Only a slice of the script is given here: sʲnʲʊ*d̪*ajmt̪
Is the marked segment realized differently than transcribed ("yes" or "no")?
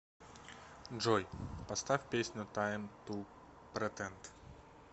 yes